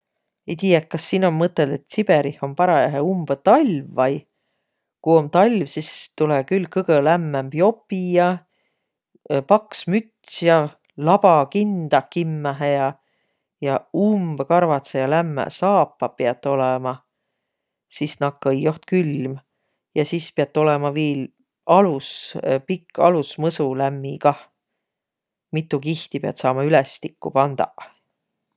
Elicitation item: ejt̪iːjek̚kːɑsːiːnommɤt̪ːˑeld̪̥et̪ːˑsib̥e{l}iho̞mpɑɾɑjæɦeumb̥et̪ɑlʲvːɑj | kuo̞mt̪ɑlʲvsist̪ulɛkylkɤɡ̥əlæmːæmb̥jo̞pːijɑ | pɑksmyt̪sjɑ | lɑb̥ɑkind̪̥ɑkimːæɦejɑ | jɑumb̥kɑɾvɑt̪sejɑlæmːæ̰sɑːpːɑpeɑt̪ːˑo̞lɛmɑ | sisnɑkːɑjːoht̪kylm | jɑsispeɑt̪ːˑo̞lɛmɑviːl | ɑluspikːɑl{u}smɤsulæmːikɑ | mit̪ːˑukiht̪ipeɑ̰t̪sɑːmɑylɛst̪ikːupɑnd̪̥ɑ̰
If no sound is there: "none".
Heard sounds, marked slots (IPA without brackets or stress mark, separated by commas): ɾ, u